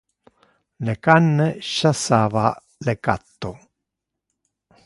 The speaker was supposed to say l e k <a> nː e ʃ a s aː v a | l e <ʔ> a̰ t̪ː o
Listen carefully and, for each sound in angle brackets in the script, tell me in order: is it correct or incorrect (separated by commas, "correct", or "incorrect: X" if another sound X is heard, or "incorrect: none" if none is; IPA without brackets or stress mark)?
correct, incorrect: k